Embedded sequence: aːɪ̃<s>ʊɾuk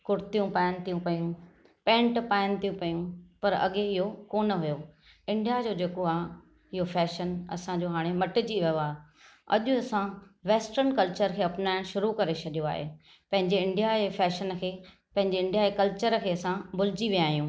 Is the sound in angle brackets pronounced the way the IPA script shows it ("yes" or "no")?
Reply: no